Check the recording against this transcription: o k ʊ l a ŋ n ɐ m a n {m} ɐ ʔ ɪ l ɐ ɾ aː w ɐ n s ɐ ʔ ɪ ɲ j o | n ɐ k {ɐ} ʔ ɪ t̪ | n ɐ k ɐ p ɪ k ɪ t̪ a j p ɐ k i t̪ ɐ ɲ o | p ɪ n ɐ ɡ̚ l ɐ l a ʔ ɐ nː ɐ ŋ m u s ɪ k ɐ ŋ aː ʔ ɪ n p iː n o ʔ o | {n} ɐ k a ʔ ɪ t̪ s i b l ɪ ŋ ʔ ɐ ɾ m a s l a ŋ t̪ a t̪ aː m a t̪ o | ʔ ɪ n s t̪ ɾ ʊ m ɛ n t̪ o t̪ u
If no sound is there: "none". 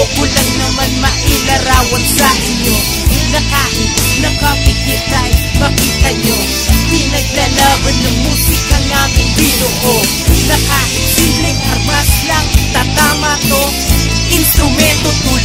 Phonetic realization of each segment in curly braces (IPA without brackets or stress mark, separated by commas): m, a, n